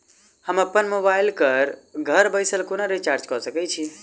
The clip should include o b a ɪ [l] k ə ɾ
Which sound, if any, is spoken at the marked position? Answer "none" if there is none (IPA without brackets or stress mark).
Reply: l